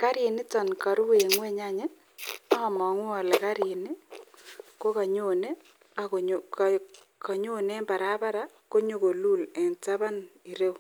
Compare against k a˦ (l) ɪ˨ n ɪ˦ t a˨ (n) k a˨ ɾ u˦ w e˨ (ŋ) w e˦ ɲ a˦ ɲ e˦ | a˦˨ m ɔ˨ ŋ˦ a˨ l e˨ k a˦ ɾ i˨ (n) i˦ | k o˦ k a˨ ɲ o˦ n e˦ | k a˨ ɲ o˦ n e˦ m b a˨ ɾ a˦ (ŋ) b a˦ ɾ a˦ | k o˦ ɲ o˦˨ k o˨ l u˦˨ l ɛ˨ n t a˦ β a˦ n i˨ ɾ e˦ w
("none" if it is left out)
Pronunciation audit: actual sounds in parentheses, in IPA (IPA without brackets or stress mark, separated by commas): ɾ, n, ŋ, n, none